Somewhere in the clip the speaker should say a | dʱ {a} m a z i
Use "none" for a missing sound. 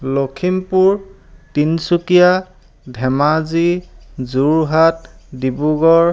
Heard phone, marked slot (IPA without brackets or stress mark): ɛ